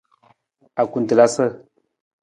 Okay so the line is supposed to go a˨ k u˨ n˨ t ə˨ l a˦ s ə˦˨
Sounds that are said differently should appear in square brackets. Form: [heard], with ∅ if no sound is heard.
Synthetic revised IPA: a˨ k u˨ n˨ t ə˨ l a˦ s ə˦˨